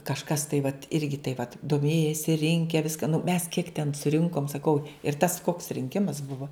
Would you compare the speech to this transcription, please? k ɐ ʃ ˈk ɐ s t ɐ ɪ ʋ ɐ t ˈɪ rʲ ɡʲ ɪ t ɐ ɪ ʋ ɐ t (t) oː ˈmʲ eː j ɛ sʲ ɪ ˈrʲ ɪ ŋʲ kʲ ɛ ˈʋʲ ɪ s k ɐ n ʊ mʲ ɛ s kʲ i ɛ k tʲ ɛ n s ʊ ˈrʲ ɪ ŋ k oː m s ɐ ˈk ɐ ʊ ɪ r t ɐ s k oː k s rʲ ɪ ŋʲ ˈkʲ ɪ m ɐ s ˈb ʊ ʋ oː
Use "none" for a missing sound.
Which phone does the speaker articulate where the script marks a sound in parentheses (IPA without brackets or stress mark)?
d